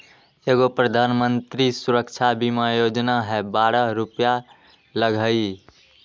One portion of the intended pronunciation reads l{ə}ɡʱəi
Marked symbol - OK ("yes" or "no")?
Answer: yes